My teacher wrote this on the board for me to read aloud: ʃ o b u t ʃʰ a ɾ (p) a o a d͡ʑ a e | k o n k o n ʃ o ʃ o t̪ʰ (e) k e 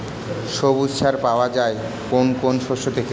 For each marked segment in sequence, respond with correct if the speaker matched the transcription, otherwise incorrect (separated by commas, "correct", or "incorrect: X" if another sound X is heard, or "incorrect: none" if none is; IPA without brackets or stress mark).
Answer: correct, correct